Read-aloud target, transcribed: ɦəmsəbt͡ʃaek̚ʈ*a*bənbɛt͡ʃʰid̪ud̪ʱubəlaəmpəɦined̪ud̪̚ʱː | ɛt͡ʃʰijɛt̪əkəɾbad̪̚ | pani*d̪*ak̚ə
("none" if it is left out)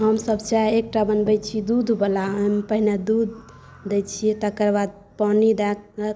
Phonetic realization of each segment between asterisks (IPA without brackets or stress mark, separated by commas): a, d̪